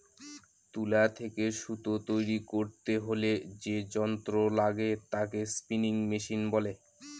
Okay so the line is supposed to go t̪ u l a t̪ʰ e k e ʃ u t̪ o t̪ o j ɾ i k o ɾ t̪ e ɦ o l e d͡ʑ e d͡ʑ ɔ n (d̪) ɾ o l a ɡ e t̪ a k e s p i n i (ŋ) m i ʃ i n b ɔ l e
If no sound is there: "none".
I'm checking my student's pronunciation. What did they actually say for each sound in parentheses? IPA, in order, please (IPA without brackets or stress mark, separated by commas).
t̪, ŋ